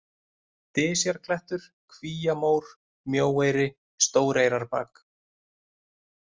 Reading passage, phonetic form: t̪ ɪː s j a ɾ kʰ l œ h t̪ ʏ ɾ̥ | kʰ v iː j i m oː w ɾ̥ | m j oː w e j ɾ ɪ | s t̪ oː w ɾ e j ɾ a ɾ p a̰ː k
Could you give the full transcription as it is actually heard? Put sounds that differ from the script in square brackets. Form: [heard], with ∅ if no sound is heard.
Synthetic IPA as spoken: t̪ ɪː s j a ɾ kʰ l [ɛ] h t̪ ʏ ɾ̥ | kʰ v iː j [a] m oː w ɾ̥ | m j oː w e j ɾ ɪ | s t̪ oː w ɾ e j ɾ a ɾ p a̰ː k